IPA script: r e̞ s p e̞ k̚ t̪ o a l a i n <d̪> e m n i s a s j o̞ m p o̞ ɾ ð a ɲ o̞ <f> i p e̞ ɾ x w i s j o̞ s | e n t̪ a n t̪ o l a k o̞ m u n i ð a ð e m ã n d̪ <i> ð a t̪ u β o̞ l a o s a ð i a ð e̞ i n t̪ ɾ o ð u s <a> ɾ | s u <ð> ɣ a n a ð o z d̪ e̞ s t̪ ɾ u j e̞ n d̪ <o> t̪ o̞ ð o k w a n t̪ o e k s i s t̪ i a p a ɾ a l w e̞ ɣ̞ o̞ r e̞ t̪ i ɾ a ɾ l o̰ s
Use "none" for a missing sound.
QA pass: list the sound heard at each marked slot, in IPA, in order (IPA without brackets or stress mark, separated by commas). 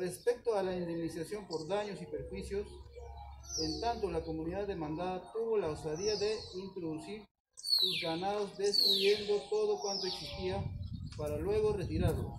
d̪, s, a, i, z, o